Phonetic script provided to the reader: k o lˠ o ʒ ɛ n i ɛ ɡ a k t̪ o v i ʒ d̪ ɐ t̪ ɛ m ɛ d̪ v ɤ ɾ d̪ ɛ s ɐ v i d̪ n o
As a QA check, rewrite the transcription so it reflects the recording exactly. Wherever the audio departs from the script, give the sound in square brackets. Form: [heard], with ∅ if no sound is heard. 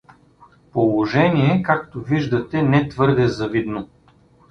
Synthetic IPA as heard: [p] o lˠ o ʒ ɛ n i ɛ [k] a k t̪ o v i ʒ d̪ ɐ t̪ ɛ [n] ɛ [t̪] v ɤ ɾ d̪ ɛ [z] ɐ v i d̪ n o